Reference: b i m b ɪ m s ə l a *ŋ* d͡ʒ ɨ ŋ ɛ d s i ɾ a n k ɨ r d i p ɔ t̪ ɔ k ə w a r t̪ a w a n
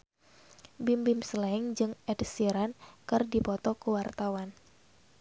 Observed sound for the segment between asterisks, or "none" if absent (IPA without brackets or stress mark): ŋ